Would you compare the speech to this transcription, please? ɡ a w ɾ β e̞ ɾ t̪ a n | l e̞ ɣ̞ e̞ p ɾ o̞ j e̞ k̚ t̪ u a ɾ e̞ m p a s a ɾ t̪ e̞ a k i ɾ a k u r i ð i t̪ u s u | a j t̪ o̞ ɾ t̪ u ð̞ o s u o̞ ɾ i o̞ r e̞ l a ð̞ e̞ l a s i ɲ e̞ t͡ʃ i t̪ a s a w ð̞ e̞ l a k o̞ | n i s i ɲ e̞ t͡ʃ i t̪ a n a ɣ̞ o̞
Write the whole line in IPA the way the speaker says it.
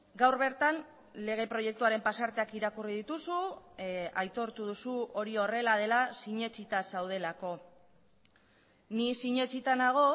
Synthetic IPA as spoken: ɡ a w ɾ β e̞ ɾ t̪ a n | l e̞ ɣ̞ e̞ p ɾ o̞ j e̞ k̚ t̪ u a ɾ e̞ m p a s a ɾ t̪ e̞ a k i ɾ a k u r i ð i t̪ u s u | a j t̪ o̞ ɾ t̪ u ð̞ u s u o̞ ɾ i o̞ r e̞ l a ð̞ e̞ l a s i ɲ e̞ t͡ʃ i t̪ a s a w ð̞ e̞ l a k o̞ | n i s i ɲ e̞ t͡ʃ i t̪ a n a ɣ̞ o̞